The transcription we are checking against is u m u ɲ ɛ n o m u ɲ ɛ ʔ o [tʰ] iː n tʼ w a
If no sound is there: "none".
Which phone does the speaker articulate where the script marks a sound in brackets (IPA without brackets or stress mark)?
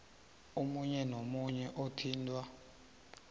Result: tʰ